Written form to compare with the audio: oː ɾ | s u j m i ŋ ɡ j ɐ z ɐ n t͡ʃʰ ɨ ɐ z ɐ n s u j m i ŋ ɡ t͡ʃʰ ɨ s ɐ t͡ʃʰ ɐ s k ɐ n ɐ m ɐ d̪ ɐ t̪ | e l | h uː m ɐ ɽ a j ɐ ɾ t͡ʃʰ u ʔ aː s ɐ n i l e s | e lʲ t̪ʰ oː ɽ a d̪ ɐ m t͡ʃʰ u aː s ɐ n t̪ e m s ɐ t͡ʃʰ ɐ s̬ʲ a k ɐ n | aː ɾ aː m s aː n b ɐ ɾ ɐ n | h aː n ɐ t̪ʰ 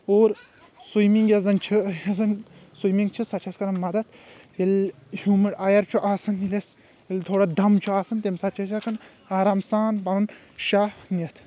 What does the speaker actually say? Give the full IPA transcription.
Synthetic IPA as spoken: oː ɾ | s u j m i ŋ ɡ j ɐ z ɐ n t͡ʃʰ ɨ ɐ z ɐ n s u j m i ŋ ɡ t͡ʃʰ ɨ s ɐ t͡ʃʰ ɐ s k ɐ n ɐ m ɐ d̪ ɐ t̪ | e l | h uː m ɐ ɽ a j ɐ ɾ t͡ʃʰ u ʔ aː s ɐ n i l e s | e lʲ t̪ʰ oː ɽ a d̪ ɐ m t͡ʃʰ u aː s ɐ n t̪ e m s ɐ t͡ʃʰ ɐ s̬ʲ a k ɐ n | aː ɾ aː m s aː n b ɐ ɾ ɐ n | ʃ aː n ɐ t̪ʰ